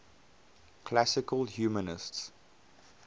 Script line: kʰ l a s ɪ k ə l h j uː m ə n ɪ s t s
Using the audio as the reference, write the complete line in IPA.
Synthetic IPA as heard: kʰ l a s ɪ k ə l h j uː m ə n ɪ s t s